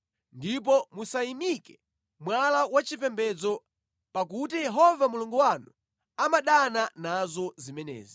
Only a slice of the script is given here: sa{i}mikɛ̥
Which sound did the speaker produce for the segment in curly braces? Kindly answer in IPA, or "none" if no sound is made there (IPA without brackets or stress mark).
i